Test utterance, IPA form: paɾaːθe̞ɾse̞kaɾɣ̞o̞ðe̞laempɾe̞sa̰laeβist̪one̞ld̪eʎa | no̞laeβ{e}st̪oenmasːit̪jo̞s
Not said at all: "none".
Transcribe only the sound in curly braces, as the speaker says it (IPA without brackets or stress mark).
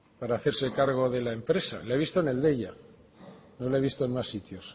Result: i